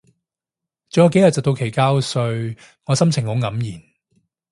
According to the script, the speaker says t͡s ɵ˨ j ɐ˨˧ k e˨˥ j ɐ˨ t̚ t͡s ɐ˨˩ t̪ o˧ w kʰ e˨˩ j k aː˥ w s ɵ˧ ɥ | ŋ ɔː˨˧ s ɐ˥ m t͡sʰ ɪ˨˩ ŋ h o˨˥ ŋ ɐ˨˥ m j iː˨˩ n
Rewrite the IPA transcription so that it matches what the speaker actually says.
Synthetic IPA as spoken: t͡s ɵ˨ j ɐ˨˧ k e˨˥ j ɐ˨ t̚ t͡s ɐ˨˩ t̪ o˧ w kʰ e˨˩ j k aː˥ w s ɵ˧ ɥ | ŋ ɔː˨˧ s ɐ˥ m t͡sʰ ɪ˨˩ ŋ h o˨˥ ŋ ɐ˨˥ m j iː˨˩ n